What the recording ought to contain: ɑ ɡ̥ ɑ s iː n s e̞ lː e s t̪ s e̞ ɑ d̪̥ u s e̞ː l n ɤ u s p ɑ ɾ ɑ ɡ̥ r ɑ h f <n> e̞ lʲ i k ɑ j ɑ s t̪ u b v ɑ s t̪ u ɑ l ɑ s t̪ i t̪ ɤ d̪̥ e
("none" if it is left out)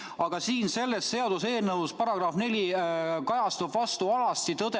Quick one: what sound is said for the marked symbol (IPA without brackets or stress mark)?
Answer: n